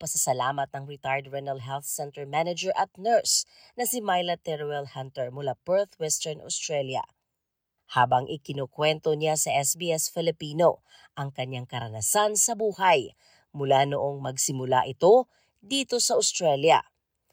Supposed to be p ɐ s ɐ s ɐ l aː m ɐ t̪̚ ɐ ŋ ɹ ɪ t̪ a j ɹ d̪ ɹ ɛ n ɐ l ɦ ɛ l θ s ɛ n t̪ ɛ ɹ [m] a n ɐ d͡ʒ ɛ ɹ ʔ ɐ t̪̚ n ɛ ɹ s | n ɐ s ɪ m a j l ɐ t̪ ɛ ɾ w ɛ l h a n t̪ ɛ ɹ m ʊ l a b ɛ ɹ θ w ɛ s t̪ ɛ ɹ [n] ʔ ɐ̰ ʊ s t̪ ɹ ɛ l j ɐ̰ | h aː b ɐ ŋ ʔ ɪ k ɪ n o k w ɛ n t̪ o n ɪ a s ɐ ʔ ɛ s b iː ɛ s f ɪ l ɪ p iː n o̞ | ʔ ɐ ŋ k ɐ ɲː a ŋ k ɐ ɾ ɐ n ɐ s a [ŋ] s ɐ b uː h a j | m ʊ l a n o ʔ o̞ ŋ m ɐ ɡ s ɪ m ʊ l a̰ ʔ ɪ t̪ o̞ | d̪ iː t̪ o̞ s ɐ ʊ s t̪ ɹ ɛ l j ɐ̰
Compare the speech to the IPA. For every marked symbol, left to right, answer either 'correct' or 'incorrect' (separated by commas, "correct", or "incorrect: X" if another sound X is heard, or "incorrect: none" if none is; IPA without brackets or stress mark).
correct, correct, incorrect: n